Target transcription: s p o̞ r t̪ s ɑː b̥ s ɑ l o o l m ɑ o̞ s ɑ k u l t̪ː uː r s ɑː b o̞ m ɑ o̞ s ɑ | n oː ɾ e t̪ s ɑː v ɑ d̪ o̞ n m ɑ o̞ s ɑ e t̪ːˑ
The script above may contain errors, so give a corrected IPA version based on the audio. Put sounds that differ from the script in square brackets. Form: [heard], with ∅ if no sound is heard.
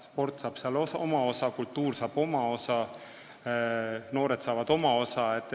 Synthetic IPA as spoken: s p o̞ r t̪ s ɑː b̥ s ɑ l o o [∅] m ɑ o̞ s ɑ k u l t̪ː uː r s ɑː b o̞ m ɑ o̞ s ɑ | n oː ɾ e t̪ s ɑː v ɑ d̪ o̞ [∅] m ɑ o̞ s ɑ e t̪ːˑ